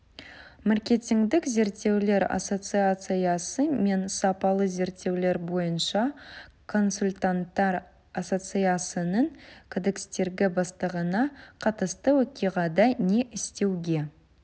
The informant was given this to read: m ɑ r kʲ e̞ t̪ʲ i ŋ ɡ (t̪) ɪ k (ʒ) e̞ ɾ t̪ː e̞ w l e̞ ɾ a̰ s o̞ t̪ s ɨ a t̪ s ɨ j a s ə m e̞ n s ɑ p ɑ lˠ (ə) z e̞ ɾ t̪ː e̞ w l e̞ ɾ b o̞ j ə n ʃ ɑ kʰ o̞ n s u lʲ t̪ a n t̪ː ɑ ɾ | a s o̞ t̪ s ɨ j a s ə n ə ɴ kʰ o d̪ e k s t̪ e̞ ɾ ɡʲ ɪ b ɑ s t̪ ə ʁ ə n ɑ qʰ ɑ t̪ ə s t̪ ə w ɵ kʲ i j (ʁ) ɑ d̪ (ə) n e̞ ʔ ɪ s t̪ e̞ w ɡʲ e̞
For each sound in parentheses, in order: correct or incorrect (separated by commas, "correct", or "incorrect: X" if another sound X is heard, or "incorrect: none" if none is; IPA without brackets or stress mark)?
incorrect: d̪, incorrect: z, correct, correct, incorrect: ɑ